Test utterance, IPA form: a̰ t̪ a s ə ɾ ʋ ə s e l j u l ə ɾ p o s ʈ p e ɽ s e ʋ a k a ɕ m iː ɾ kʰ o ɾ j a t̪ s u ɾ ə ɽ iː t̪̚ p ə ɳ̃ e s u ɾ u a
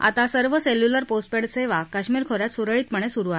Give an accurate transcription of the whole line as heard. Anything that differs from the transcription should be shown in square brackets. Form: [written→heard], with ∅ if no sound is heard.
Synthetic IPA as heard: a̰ t̪ a s ə ɾ ʋ ə s e l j u l ə ɾ p o s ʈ p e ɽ s e ʋ a k a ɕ m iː ɾ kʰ o ɾ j a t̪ s u ɾ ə [ɽ→ɭ] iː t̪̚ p ə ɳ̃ e s u ɾ u a

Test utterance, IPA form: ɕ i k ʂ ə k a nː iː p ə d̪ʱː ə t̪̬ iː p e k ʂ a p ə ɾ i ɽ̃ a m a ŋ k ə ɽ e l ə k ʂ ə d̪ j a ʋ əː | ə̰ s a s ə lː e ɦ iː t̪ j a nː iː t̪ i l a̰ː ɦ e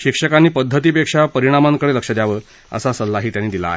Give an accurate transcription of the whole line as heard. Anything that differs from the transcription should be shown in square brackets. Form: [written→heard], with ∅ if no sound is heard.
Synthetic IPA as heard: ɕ i k ʂ ə k a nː iː p ə d̪ʱː ə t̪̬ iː p e k ʂ a p ə ɾ i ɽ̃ a m a ŋ k ə ɽ e l ə k ʂ ə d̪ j a ʋ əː | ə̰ s a s ə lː [e→a] ɦ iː t̪ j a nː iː [t̪→d̪] i l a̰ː ɦ e

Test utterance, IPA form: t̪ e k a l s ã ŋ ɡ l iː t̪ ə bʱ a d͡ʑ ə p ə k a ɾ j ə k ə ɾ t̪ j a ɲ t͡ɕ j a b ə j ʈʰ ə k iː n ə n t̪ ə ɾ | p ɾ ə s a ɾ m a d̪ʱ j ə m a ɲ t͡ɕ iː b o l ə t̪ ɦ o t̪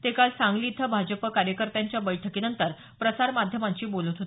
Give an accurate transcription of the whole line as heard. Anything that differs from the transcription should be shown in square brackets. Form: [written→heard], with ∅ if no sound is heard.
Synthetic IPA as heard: t̪ e k a l s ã ŋ ɡ l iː [t̪→t̪ʰ] ə bʱ a d͡ʑ ə p ə k a ɾ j ə k ə ɾ t̪ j a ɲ t͡ɕ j a b ə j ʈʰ ə k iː n ə n t̪ ə ɾ | p ɾ ə s a ɾ m a d̪ʱ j ə m a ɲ t͡ɕ iː b o l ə t̪ ɦ o t̪

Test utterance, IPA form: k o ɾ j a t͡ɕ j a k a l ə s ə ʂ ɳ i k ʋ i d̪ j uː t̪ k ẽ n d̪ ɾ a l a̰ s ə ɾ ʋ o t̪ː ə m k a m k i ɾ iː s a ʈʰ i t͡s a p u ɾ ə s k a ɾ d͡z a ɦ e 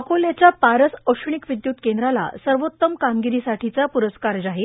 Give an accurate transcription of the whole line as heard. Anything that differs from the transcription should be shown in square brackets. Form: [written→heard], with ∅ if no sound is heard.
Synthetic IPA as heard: k o [ɾ→l] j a t͡ɕ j a [k→p] a [l→ɾ] ə s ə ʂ ɳ i k ʋ i d̪ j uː t̪ k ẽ n d̪ ɾ a l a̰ s ə ɾ ʋ o t̪ː ə m k a m [k→ɡ] i ɾ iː s a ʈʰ i t͡s a p u ɾ ə s k a ɾ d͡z a ɦ e

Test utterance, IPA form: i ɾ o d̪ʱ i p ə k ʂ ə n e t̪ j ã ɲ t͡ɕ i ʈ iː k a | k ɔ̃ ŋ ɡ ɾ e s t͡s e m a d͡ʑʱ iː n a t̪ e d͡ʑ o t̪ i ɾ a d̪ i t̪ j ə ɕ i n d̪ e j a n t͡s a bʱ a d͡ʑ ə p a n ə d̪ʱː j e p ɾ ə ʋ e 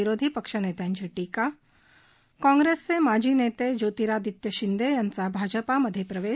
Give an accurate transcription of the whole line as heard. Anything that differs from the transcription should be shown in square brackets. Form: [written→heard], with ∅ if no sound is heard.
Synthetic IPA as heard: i ɾ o d̪ʱ i p ə k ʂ ə n e t̪ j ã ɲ t͡ɕ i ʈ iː k a | k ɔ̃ ŋ ɡ ɾ e s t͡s e m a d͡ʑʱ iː n [a→e] t̪ e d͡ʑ o t̪ i ɾ a d̪ i t̪ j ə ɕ i n d̪ e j a n t͡s a bʱ a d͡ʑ ə p a [n→m] ə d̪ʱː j e p ɾ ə ʋ e

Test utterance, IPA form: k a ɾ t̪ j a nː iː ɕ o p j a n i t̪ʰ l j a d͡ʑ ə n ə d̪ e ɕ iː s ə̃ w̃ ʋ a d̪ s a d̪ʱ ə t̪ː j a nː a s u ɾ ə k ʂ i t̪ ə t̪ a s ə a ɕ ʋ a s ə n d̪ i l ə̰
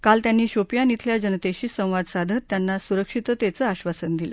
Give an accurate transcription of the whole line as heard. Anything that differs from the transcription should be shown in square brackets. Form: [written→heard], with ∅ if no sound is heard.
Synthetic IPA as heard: k a [ɾ→l] t̪ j a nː iː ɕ o p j a n i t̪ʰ l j a d͡ʑ ə n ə [d̪→t̪] e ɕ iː s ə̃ w̃ ʋ a d̪ s a d̪ʱ ə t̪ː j a nː a s u ɾ ə k ʂ i t̪ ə t̪ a [s→t͡s] ə a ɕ ʋ a s ə n d̪ i l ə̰

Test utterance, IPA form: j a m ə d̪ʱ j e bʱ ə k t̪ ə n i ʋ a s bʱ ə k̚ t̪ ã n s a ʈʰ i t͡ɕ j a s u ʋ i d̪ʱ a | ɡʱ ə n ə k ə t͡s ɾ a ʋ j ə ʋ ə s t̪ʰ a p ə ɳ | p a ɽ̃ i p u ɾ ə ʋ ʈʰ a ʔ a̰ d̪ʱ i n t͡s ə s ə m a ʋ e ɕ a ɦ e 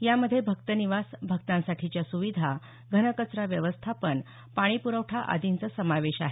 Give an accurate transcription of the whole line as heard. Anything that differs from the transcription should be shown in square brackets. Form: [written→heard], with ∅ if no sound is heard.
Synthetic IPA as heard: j a m ə d̪ʱ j e bʱ ə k t̪ ə n i ʋ a s bʱ ə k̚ t̪ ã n s a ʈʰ i t͡ɕ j a s u ʋ i d̪ʱ a | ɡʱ ə n ə k ə t͡s ɾ a ʋ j ə ʋ ə s t̪ʰ a p ə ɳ | p a ɽ̃ i p u ɾ ə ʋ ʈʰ a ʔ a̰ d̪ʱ i n t͡s ə s ə m a ʋ e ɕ a ɦ e

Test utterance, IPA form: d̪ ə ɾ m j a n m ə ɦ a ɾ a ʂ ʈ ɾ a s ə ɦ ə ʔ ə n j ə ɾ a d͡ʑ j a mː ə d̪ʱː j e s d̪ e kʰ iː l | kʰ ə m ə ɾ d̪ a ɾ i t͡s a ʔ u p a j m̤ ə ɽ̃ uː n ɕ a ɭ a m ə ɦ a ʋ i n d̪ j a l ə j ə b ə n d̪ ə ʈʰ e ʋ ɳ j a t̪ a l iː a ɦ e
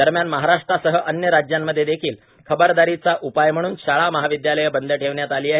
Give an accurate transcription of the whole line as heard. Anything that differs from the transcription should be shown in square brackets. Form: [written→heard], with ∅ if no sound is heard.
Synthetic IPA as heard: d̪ ə ɾ m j a n m ə ɦ a ɾ a ʂ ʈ ɾ a s ə ɦ ə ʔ ə n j ə ɾ a d͡ʑ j a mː ə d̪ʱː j e [s→∅] d̪ e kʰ iː l | kʰ ə [m→b] ə ɾ d̪ a ɾ i t͡s a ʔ u p a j m̤ ə ɽ̃ uː n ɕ a ɭ a m ə ɦ a ʋ i [n→∅] d̪ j a l ə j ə b ə n d̪ ə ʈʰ e ʋ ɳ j a t̪ a l iː a ɦ e

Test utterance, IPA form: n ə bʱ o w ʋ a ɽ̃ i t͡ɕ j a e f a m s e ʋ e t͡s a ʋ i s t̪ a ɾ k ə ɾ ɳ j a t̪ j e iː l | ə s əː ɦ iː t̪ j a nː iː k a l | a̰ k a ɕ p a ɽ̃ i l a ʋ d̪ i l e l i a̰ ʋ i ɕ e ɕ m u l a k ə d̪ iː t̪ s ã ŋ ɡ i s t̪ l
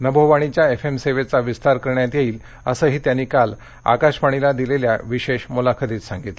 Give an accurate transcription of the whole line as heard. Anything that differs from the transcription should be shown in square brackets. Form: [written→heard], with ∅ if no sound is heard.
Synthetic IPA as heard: n ə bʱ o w ʋ a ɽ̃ i t͡ɕ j a e f [a→e] m s e ʋ e t͡s a ʋ i s t̪ a ɾ k ə ɾ ɳ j a t̪ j e iː l | ə s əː ɦ iː t̪ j a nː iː k a l | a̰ k a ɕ p a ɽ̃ i l a [ʋ→∅] d̪ i l e l [i→j] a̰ ʋ i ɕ e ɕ m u l a [k→kʰ] ə d̪ iː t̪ s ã ŋ ɡ i [s→∅] t̪ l

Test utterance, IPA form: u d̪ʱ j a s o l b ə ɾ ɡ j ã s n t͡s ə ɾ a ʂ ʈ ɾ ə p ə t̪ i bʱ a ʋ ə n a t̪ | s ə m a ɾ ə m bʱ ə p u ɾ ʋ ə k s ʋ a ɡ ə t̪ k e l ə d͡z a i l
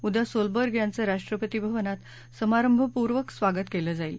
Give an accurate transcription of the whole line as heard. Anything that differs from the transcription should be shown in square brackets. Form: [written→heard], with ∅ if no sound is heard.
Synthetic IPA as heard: u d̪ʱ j a s o l b ə ɾ ɡ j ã [s→∅] n t͡s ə ɾ a ʂ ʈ ɾ ə p ə t̪ i bʱ [a→ə] ʋ ə n a t̪ | s ə m a ɾ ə m bʱ ə p u ɾ ʋ ə k s ʋ a ɡ ə t̪ k e l ə d͡z a i l

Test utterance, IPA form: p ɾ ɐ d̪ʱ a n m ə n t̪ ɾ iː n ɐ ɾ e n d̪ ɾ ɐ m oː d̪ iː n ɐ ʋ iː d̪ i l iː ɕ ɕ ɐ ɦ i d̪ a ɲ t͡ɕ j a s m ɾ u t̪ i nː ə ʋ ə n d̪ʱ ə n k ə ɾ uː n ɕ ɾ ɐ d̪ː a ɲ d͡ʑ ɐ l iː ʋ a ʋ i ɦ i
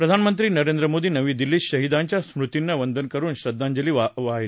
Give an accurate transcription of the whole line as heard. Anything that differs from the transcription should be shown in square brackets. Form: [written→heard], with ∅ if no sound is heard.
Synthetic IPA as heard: p ɾ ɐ d̪ʱ a n m ə n t̪ ɾ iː n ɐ ɾ e n d̪ ɾ [ɐ→ə] m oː d̪ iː n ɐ ʋ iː d̪ i l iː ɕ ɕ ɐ ɦ i d̪ a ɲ t͡ɕ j a s m ɾ u t̪ i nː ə ʋ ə n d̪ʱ ə n k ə ɾ uː n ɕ ɾ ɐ d̪ː a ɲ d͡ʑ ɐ l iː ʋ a ʋ [i→a] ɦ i

